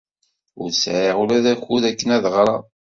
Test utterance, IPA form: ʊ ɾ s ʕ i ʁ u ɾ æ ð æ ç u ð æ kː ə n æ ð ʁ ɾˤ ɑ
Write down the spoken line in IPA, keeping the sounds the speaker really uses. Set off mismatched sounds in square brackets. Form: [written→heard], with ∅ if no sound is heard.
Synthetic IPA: ʊ ɾ s ʕ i ʁ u [ɾ→l] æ ð æ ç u ð æ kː ə n æ ð ʁ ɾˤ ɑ